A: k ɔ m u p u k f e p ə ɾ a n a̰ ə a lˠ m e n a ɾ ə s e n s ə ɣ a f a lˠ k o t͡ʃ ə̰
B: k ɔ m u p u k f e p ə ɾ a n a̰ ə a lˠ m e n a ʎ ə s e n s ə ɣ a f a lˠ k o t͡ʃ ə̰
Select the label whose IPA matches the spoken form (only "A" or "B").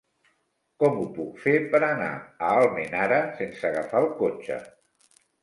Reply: A